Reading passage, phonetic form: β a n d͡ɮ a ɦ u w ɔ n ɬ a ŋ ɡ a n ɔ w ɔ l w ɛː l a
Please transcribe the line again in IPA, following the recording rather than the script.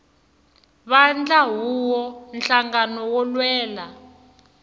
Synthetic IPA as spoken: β a n d͡ɮ a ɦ u w ɔ n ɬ a ŋ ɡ a n ɔ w ɔ l w ɛː l a